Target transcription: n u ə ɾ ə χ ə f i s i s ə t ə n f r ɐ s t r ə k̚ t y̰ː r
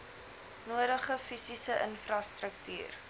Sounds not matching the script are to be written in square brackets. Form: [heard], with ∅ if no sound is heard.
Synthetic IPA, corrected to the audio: n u ə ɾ ə χ ə f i s i s ə [ʔ] ə n f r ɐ s t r ə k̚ t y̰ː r